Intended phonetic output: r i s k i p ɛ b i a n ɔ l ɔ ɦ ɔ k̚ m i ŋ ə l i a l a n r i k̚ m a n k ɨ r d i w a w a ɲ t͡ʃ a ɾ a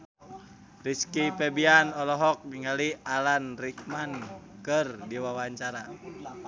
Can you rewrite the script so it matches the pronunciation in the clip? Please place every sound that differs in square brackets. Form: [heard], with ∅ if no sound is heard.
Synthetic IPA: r i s k i p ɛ b i a n ɔ l ɔ ɦ ɔ k̚ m i ŋ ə l i a l a n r i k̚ m a n k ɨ r d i w a w a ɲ t͡ʃ a ɾ a